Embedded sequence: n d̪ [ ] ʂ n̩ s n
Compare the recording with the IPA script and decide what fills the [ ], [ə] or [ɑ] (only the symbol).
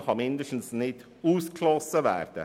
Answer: ə